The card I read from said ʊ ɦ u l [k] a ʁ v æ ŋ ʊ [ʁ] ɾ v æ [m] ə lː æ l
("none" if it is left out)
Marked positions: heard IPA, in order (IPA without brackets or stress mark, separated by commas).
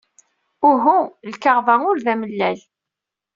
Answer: k, none, m